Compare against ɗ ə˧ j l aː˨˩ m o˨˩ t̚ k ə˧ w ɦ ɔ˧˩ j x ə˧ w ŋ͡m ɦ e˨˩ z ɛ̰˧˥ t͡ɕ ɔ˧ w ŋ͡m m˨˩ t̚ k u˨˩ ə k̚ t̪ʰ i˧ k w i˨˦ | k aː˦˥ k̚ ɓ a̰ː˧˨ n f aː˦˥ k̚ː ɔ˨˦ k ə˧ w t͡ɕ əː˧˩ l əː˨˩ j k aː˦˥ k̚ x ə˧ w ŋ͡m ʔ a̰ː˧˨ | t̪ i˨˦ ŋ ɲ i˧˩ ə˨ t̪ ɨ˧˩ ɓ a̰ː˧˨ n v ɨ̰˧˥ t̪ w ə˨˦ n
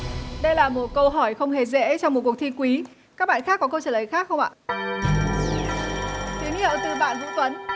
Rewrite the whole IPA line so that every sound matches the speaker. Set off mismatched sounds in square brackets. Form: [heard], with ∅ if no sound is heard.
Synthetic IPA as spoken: ɗ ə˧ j l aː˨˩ m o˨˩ t̚ k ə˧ w ɦ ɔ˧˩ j x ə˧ w ŋ͡m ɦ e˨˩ z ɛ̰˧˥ t͡ɕ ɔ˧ w ŋ͡m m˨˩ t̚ k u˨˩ ə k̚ t̪ʰ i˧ k w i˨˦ | k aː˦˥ k̚ ɓ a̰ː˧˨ n [x] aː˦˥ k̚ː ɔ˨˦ k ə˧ w t͡ɕ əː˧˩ l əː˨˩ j [x] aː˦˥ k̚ x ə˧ w ŋ͡m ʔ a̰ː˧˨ | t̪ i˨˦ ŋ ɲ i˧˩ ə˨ t̪ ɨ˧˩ ɓ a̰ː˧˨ n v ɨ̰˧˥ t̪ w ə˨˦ n